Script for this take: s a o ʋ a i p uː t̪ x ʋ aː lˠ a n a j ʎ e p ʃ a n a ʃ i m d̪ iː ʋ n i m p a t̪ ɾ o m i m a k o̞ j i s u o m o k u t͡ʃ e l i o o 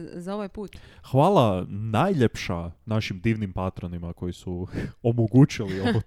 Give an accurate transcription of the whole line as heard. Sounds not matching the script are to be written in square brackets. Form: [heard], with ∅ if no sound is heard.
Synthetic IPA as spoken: [z] a o ʋ a [j] p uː t̪ x ʋ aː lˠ a n a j ʎ e p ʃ a n a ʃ i m d̪ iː ʋ n i m p a t̪ ɾ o [n] i m a k o̞ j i s u o m o [ɡ] u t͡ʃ [i] l i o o